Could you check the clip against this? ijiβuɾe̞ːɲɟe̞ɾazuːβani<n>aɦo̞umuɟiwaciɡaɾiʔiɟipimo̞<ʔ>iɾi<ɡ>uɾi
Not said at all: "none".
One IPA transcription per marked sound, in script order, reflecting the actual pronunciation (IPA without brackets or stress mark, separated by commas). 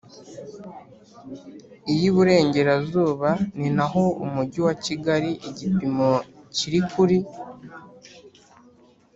n, c, k